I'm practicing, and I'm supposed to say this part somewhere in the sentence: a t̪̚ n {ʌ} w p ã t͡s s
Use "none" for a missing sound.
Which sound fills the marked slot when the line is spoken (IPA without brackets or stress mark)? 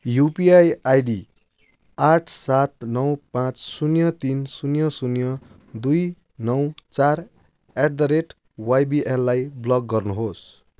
ʌ